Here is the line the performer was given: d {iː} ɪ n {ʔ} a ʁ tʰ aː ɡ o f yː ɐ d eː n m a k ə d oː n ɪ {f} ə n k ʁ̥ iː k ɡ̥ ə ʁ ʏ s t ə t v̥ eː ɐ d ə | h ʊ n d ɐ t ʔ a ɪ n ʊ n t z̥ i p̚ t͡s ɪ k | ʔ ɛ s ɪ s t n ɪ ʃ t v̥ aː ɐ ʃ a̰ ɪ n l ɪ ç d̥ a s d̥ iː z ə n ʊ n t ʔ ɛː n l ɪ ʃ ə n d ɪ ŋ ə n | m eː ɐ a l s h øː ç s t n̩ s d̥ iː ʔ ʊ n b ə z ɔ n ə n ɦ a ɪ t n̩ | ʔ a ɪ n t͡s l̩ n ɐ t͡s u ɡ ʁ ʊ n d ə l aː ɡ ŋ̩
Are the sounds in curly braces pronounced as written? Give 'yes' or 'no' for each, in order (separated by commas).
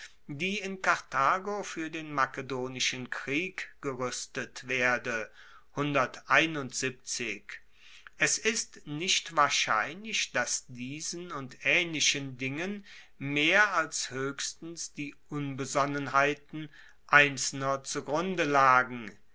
yes, no, no